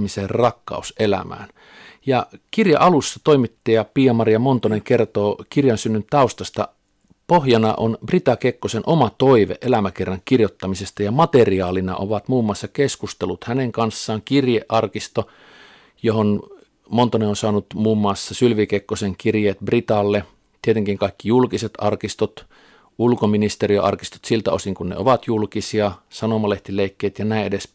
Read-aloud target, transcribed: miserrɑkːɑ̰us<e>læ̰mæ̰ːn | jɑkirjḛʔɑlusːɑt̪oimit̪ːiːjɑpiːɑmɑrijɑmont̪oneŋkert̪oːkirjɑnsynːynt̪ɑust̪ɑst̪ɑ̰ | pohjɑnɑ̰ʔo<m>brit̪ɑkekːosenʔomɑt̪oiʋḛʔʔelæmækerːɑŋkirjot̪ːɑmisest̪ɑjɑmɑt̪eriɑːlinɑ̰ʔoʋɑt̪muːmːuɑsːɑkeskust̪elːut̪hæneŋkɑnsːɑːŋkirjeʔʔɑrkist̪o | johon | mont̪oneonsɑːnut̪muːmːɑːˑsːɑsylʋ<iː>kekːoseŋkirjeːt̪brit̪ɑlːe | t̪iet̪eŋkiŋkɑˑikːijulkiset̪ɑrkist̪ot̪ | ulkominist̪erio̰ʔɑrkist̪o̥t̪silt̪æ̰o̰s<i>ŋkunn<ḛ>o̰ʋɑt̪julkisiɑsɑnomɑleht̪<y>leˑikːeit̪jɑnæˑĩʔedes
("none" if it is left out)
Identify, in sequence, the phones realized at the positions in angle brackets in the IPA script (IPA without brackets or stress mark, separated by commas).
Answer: e, n, i, i, ḛ, i